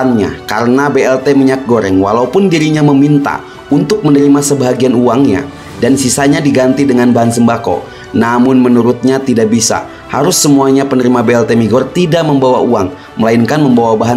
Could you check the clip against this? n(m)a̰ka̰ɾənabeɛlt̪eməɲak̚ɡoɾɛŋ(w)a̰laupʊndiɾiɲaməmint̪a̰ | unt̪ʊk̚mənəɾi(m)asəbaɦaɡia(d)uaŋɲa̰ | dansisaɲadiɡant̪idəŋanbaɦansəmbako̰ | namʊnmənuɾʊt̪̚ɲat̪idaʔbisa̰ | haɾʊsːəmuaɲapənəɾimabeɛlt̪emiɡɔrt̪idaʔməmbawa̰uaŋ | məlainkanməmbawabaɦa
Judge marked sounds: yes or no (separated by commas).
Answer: no, yes, yes, no